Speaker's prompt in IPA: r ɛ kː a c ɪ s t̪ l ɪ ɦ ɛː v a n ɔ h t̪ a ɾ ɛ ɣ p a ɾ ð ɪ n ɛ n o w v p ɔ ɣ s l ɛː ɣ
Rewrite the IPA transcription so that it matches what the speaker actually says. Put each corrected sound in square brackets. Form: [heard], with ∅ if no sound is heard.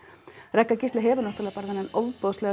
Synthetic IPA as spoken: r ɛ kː a c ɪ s t̪ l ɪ ɦ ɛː v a n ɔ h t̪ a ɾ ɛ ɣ p a ɾ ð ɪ n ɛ n o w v p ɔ [ð] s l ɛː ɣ